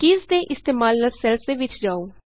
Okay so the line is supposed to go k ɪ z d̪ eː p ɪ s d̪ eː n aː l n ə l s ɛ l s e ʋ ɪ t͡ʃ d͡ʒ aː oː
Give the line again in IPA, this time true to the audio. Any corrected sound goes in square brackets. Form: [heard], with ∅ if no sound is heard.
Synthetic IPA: k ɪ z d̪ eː [ʔ] ɪ s [t̪] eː [m] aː l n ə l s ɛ l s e ʋ ɪ t͡ʃ d͡ʒ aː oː